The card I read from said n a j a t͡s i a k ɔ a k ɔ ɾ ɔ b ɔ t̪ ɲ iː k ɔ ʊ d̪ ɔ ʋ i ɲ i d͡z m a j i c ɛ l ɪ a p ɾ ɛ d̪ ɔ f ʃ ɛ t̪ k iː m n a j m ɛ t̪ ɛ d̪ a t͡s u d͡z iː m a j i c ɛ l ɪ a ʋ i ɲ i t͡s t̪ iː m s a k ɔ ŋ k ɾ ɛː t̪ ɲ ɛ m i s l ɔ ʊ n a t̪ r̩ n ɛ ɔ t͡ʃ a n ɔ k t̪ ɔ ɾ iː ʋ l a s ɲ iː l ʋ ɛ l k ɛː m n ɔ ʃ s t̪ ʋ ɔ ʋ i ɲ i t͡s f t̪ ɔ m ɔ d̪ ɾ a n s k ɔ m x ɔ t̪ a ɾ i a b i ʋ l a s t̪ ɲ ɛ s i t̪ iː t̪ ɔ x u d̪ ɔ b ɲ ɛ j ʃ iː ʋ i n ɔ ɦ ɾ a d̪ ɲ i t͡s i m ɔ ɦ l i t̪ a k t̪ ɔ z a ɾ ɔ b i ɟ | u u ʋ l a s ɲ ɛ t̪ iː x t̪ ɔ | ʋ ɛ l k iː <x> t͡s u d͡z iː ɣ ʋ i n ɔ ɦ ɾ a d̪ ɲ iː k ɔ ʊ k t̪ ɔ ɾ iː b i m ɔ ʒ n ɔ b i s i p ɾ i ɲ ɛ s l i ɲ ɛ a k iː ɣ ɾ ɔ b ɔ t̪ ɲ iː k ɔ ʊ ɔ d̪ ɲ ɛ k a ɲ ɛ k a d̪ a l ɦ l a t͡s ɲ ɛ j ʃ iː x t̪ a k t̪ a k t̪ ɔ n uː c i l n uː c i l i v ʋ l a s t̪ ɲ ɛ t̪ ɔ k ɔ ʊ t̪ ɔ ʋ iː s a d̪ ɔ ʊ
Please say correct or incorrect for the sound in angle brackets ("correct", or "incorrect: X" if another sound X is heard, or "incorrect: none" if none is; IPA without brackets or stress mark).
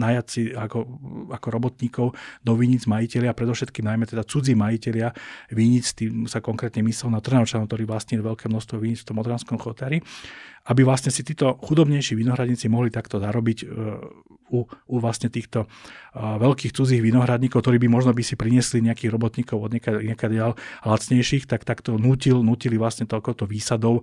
correct